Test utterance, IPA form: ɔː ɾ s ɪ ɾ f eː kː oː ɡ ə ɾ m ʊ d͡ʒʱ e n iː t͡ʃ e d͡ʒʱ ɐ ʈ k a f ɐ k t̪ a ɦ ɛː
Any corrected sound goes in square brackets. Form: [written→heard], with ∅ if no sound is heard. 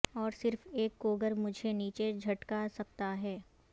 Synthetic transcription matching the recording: ɔː ɾ s ɪ ɾ f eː kː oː ɡ ə ɾ m ʊ d͡ʒʱ e n iː t͡ʃ e d͡ʒʱ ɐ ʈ k a [f→s] ɐ k t̪ a ɦ ɛː

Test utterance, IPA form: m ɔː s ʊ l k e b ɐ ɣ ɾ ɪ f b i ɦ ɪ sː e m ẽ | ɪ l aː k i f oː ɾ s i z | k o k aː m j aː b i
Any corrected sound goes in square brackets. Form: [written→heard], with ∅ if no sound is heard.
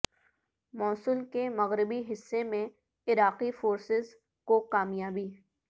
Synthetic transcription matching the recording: m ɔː s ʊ l k e [b→m] ɐ ɣ ɾ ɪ [f→∅] b i ɦ ɪ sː e m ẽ | ɪ [l→ɾ] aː [k→q] i f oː ɾ s [i→ɪ] z | k o k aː m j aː b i

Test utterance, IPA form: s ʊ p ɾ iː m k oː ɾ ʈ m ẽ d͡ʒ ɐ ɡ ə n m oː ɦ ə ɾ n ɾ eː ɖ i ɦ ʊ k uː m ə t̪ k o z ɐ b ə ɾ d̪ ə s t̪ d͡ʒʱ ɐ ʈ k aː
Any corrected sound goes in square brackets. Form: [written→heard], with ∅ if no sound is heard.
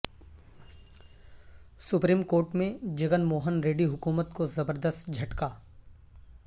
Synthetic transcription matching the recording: s ʊ p ɾ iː m k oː ɾ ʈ m ẽ d͡ʒ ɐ ɡ ə n m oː ɦ ə [ɾ→∅] n ɾ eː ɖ i ɦ ʊ k uː m ə t̪ k o z ɐ b ə ɾ d̪ ə s t̪ d͡ʒʱ ɐ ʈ k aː

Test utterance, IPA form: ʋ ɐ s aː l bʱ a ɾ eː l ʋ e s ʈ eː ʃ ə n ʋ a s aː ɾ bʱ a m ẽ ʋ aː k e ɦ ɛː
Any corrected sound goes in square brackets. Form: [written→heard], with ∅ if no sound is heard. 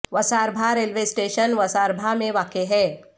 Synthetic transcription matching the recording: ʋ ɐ s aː [l→ɾ] bʱ a ɾ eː l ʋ e s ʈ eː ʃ ə n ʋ [a→ɐ] s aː ɾ bʱ a m ẽ ʋ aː k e ɦ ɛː

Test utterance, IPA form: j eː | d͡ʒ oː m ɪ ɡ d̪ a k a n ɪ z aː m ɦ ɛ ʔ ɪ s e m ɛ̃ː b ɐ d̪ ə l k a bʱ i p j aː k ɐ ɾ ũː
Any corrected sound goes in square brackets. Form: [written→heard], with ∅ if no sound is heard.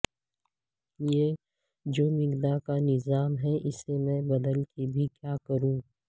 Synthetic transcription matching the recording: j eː | d͡ʒ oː m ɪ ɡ d̪ a k a n ɪ z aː m ɦ ɛ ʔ ɪ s e m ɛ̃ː b ɐ d̪ ə l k [a→e] bʱ i [p→k] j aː k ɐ ɾ ũː

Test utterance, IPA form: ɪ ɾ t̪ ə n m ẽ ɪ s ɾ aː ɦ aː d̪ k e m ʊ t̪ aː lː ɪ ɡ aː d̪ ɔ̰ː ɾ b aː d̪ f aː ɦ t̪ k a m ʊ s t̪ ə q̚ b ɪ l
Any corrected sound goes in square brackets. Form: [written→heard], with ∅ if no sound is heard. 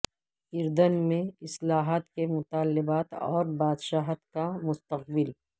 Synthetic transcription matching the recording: ɪ ɾ [t̪→d̪] ə n m ẽ ɪ s [ɾ→l] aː ɦ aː [d̪→t̪] k e m ʊ t̪ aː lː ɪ [ɡ→b] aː [d̪→t̪] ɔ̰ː ɾ b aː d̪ [f→ʃ] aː ɦ t̪ k a m ʊ s t̪ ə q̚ b ɪ l

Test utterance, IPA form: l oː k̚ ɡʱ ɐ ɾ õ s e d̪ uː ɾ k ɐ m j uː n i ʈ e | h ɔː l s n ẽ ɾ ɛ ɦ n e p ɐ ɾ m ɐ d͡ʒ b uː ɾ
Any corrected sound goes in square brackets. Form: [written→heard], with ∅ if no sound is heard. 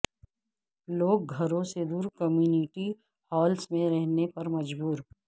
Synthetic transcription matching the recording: l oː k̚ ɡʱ ɐ ɾ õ s e d̪ uː ɾ k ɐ m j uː n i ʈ [e→i] | h ɔː l s [n→m] ẽ ɾ ɛ ɦ n e p ɐ ɾ m ɐ d͡ʒ b uː ɾ

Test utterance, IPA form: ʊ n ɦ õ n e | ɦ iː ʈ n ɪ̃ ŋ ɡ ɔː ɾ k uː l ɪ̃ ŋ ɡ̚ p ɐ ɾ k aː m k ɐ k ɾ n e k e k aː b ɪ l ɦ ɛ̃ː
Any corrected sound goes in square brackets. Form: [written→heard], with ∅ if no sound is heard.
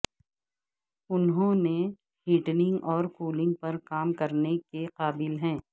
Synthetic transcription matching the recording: ʊ n ɦ õ n e | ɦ iː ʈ n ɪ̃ ŋ ɡ ɔː ɾ k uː l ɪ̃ ŋ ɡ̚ p ɐ ɾ k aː m k ɐ [k→∅] ɾ n e k e [k→q] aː b ɪ l ɦ ɛ̃ː

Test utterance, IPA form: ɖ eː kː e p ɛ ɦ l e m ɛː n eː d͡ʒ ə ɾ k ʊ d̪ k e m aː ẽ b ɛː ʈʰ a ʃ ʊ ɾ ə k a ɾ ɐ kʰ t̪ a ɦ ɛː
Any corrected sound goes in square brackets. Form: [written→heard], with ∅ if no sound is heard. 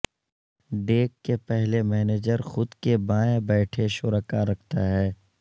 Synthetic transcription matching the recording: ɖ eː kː e p ɛ ɦ l e m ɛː n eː d͡ʒ ə ɾ [k→x] ʊ d̪ k e [m→b] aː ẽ b ɛː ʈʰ [a→e] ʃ ʊ ɾ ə k a ɾ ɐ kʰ t̪ a ɦ ɛː

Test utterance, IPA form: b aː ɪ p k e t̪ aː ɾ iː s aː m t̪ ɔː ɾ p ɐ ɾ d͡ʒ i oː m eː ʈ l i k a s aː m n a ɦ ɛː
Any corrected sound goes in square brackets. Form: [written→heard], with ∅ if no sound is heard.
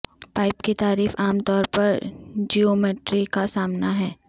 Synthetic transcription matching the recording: [b→p] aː ɪ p k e t̪ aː ɾ iː [s→f] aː m t̪ ɔː ɾ p ɐ ɾ d͡ʒ i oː m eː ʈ [l→ɾ] i k a s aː m n a ɦ ɛː

